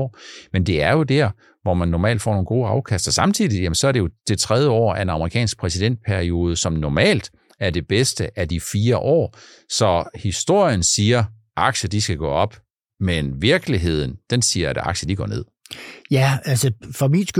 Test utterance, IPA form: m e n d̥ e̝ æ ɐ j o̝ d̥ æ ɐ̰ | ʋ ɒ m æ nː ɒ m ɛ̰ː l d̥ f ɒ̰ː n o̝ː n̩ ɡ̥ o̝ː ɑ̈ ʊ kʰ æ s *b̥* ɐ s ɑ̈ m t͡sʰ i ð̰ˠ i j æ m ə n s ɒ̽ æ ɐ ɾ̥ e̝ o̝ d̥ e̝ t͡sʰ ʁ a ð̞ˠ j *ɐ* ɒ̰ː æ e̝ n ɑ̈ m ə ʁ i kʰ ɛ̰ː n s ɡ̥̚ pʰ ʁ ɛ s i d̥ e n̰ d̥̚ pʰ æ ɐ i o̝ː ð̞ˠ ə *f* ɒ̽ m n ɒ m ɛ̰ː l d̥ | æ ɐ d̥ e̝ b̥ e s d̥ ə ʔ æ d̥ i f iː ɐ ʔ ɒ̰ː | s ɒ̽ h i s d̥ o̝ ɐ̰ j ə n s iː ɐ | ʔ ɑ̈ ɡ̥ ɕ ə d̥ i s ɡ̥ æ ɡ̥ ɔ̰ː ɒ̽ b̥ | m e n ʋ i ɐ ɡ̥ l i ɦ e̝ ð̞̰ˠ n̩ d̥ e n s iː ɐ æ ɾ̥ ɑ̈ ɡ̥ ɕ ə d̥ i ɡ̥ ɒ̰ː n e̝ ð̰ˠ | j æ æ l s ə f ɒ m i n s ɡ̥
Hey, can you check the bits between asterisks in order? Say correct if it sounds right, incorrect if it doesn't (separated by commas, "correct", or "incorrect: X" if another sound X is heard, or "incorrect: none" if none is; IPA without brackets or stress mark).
incorrect: d̥, incorrect: ə, incorrect: s